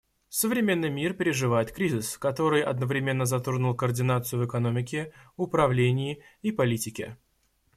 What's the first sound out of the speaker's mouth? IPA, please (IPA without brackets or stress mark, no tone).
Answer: s